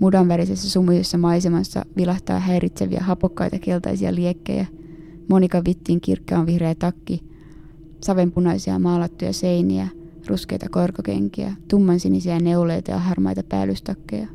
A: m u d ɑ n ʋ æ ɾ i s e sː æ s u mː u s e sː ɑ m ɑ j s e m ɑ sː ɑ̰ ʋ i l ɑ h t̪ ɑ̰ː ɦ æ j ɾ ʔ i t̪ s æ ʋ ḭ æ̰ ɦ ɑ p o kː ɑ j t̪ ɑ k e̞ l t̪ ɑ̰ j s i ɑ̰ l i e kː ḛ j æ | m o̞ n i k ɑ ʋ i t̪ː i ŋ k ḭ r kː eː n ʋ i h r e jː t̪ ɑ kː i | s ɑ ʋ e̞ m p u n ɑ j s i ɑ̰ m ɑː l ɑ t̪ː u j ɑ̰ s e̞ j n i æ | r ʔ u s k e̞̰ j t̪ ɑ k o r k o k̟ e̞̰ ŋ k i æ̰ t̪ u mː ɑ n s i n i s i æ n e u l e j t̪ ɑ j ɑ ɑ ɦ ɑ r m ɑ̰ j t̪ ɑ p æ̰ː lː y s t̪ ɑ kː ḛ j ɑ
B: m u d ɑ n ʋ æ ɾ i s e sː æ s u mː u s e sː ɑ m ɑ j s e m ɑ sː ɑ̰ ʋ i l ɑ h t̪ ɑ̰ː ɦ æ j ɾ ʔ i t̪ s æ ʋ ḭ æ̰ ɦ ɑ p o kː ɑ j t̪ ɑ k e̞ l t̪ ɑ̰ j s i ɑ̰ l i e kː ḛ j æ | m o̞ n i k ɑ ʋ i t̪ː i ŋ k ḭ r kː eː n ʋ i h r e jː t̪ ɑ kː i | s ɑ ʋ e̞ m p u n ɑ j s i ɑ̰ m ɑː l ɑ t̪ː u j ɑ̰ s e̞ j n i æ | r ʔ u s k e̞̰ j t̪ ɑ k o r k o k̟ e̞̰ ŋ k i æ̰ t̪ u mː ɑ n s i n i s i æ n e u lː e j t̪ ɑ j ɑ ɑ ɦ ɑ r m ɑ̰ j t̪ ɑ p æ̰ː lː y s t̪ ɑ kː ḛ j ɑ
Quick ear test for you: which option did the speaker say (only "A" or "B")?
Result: A